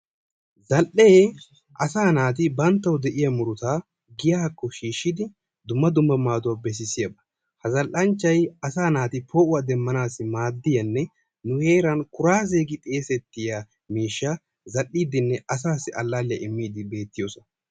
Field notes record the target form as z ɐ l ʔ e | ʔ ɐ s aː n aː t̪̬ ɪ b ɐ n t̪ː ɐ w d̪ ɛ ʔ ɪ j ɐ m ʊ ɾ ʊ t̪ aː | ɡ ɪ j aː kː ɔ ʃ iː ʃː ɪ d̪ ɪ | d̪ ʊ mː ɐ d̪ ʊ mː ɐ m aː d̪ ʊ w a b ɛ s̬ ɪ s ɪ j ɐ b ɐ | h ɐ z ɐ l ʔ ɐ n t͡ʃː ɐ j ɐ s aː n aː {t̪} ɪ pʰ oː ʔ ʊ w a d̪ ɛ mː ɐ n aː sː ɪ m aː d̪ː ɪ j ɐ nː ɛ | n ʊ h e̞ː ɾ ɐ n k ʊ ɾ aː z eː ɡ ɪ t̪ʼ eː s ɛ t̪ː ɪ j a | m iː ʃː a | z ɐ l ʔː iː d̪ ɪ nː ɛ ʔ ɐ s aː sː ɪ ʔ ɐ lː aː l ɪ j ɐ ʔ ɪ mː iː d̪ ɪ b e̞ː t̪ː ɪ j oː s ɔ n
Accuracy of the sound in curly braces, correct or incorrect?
correct